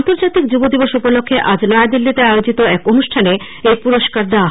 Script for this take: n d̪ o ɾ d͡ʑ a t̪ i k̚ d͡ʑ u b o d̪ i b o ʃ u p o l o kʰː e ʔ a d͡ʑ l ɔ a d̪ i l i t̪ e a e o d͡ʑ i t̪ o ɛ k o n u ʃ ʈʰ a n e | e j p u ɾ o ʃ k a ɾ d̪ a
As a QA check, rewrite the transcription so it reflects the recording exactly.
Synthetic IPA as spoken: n t̪ o ɾ d͡ʑ a t̪ i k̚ d͡ʑ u b o d̪ i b o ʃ u p o l o kʰː e ʔ a d͡ʑ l ɔ a d̪ i lː i t̪ e a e o d͡ʑ i t̪ o ɛ k o n u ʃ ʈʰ a n e | e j p u ɾ o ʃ k a ɾ d̪ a

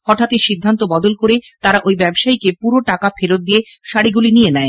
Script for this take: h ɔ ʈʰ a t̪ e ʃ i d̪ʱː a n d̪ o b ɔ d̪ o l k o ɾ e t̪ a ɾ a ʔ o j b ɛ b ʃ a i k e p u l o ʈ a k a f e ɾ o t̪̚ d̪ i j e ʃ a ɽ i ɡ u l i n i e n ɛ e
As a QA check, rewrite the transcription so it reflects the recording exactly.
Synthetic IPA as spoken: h ɔ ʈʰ a t̪ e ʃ i d̪ʱː a n t̪ o b ɔ d̪ o l k o ɾ e t̪ a ɾ a ʔ o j b ɛ b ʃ a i k e p u ɾ o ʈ a k a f e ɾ o t̪̚ d̪ i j e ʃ a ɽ i ɡ u l i n i e n ɛ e

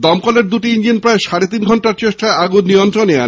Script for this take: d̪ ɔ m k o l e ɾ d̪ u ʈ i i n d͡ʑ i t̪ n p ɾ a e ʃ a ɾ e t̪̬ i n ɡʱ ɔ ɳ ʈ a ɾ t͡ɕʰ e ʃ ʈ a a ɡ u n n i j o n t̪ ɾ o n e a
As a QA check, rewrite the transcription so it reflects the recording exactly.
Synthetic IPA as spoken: d̪ ɔ m k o l e ɾ d̪ u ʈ i i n d͡ʑ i n p ɾ a e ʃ a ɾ e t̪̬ i n ɡʱ ɔ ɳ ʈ a ɾ t͡ɕ e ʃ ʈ a a ɡ u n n i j o n t̪ ɾ o n e a

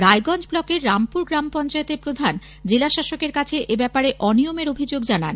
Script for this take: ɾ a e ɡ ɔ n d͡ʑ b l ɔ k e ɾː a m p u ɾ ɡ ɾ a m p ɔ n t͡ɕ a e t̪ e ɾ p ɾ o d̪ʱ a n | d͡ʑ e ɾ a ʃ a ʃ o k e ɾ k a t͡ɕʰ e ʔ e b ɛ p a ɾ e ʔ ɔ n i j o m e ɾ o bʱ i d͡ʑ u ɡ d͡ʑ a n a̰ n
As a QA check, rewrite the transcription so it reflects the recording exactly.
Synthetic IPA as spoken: ɾ a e ɡ ɔ n d͡ʑ b l ɔ k e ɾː a m p u ɾ ɡ ɾ a m p ɔ n t͡ɕ a e t̪ e ɾ p ɾ o d̪ʱ a n | d͡ʑ e l a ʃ a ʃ o k e ɾ k a t͡ɕʰ e ʔ e b ɛ p a ɾ e ʔ ɔ n i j o m e ɾ o bʱ i d͡ʑ o ɡ d͡ʑ a n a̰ n

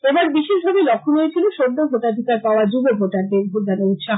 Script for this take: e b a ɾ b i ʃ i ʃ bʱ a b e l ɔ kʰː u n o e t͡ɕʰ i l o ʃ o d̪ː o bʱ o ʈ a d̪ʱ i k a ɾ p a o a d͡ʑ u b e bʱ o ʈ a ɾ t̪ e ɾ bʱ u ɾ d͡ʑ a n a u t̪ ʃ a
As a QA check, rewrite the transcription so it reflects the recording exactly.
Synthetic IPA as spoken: e b a ɾ b i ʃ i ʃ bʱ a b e l ɔ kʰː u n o e t͡ɕʰ i l o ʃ o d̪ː o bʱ o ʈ a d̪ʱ i k a ɾ p a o a d͡ʑ u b e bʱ o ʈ a ɾ d̪ e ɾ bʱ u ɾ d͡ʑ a n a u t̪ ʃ a

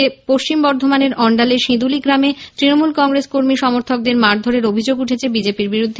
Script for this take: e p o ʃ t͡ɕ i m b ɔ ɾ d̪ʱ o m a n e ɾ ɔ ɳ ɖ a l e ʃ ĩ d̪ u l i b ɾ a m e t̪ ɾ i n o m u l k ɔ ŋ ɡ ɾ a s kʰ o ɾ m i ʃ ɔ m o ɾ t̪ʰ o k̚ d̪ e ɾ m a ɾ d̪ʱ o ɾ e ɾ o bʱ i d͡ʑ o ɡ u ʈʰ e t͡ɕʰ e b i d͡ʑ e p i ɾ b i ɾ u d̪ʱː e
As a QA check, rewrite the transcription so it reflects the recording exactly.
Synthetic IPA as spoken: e p o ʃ t͡ɕ i m b ɔ ɾ d̪ʱ o m a n e ɾ ɔ ɳ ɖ a l e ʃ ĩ d̪ u l i ɡ ɾ a m e t̪ ɾ i n o m u l k ɔ ŋ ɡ ɾ e s k o ɾ m i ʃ ɔ m o ɾ t̪ʰ o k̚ d̪ e ɾ m a ɾ d̪ʱ o ɾ e ɾ o bʱ i d͡ʑ o ɡ u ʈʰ e t͡ɕʰ e b i d͡ʑ e p i ɾ b i ɾ u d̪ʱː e

